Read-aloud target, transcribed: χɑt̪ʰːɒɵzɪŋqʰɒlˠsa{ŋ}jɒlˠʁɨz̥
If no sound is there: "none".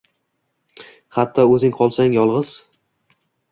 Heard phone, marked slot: ŋ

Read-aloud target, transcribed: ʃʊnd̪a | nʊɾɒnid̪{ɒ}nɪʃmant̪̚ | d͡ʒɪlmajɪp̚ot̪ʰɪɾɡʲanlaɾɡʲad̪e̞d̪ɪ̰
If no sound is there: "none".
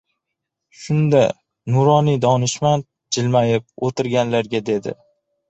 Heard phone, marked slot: ɒ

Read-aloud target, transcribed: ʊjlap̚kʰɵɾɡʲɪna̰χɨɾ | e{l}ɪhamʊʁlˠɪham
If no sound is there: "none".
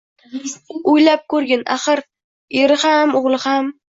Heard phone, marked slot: ɾ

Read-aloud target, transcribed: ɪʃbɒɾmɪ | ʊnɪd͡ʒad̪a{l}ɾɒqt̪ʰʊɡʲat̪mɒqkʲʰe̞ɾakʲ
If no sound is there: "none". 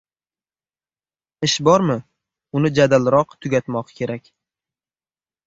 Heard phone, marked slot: l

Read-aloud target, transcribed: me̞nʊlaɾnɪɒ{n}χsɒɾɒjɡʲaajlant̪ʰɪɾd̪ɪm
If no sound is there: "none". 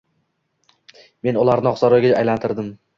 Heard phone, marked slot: none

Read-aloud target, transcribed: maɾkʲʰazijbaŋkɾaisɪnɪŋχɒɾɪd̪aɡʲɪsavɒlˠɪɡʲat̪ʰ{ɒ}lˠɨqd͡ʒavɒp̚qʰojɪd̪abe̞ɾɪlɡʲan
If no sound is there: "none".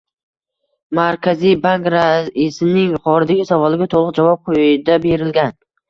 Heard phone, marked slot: o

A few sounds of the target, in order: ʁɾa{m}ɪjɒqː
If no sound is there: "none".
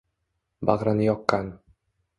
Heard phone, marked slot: n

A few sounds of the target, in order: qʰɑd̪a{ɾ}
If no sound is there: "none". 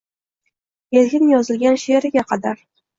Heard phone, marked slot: ɾ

